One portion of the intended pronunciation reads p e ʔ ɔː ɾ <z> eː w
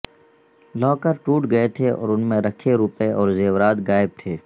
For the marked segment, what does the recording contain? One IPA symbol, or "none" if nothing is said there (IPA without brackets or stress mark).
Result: z